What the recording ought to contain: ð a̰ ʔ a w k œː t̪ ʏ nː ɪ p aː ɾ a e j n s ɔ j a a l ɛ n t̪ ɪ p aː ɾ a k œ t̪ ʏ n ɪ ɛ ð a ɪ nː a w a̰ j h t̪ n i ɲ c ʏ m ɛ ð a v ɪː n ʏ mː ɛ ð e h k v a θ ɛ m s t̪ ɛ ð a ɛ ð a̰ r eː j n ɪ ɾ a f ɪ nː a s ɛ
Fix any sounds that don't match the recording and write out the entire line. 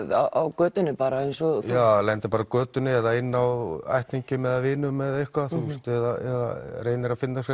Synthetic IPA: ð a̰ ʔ a w k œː t̪ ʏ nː ɪ p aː ɾ a e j n s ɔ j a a l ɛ n t̪ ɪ p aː ɾ a k œː t̪ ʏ n ɪ ɛ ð a ɪ nː a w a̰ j h t̪ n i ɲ c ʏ m ɛ ð a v ɪː n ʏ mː ɛ ð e h k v a θ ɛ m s t̪ ɛ ð a ɛ ð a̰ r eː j n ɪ ɾ a f ɪ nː a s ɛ